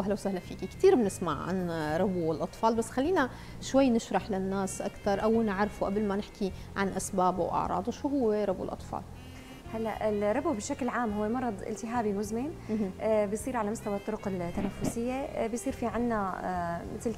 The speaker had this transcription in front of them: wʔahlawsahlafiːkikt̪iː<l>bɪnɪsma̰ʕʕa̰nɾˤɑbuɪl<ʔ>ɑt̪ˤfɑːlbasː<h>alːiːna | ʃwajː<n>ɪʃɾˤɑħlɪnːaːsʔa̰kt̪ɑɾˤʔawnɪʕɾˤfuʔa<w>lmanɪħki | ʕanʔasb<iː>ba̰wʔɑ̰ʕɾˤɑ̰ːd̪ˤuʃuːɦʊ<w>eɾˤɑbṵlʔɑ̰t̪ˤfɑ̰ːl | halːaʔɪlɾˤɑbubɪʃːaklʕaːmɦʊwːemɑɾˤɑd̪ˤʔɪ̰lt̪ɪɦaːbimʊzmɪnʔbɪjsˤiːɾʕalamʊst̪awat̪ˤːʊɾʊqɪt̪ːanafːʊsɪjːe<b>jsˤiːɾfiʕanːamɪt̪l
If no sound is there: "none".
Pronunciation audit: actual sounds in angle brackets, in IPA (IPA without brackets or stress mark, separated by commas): ɾ, ʔ, x, n, b, aː, wː, b